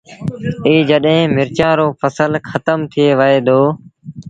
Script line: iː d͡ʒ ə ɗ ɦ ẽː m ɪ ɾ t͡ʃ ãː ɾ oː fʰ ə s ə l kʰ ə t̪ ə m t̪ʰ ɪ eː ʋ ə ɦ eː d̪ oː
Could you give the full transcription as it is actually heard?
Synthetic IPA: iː d͡ʒ ə ɗ ɦ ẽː m ɪ ɾ t͡ʃ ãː ɾ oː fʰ ə s ə l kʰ ə t̪ ə m t̪ʰ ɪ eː ʋ ə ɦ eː d̪ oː